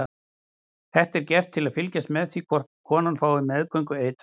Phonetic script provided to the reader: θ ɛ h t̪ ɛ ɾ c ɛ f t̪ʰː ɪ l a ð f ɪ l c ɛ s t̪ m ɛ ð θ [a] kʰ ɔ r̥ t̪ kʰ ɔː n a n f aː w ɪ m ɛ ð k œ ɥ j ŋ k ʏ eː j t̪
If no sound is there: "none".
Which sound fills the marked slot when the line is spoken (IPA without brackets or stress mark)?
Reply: i